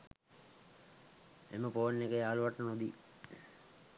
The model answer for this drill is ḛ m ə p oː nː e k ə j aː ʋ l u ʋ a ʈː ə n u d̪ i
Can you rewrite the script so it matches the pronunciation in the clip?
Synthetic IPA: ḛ m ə p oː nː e k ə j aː l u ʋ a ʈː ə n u d̪ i